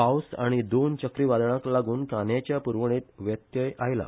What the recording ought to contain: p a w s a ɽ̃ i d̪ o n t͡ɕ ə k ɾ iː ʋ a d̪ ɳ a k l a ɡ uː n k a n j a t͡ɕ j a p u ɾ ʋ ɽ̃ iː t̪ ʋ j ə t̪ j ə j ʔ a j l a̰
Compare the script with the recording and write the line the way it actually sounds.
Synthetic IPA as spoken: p a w s a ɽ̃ i d̪ o n t͡ɕ ə k ɾ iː ʋ a d̪ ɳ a k l a ɡ uː n k a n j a t͡ɕ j a p u ɾ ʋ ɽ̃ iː t̪ ʋ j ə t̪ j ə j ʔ a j l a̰